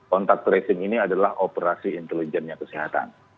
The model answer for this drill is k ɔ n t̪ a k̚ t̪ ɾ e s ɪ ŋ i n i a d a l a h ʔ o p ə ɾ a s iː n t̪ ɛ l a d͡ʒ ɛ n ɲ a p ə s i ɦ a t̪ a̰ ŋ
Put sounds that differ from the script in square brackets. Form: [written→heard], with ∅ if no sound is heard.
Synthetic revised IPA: k ɔ n t̪ a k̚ t̪ ɾ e s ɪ ŋ i n i a d a l a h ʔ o p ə ɾ a s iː n t̪ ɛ l [a→i] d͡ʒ ɛ n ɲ a [p→k] ə s i ɦ a t̪ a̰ [ŋ→n]